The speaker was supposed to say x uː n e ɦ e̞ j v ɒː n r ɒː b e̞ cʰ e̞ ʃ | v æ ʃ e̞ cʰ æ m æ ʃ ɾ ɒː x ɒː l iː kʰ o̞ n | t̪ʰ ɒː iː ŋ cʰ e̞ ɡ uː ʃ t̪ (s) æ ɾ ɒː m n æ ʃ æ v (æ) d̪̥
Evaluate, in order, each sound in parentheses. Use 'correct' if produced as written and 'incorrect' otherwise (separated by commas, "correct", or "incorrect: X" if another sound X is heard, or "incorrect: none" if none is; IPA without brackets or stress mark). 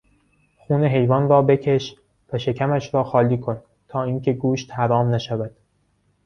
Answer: incorrect: h, correct